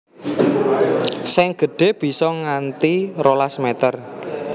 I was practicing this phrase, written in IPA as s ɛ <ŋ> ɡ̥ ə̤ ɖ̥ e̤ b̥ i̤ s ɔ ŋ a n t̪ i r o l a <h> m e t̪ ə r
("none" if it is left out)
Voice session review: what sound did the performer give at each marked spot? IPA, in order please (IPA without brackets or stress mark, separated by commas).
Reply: ŋ, s